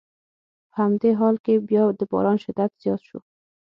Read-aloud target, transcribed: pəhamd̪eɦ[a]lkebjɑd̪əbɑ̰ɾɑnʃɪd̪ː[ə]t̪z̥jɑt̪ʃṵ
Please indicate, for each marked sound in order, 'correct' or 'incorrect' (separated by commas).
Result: incorrect, incorrect